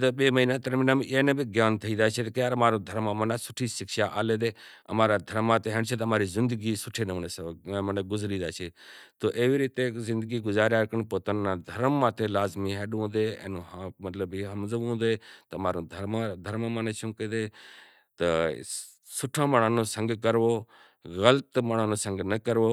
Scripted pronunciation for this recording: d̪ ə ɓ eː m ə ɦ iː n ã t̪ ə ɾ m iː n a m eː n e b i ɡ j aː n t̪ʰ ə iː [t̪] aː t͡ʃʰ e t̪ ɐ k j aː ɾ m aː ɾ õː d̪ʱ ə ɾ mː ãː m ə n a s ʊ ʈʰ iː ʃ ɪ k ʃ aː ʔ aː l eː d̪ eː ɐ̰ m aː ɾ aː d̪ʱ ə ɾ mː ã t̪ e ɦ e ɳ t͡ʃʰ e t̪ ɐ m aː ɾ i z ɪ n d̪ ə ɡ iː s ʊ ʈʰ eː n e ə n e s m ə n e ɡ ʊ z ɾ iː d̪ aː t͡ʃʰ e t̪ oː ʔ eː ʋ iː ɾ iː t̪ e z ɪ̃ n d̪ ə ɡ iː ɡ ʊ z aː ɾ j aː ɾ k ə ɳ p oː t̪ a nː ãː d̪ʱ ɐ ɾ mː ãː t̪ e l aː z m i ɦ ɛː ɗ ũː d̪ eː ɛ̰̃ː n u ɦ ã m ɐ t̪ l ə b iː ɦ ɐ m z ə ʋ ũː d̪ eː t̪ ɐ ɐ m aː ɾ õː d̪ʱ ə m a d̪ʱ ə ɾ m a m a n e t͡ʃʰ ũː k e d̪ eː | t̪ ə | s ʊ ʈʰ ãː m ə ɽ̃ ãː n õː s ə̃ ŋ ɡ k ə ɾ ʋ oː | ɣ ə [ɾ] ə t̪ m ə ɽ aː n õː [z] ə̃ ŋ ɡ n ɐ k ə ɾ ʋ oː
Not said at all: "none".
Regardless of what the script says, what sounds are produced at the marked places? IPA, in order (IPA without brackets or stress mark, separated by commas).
d̪, l, s